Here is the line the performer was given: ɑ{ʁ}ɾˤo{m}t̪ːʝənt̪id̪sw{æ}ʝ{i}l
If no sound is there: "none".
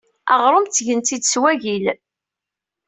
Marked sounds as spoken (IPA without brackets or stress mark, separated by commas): ʁ, m, æ, i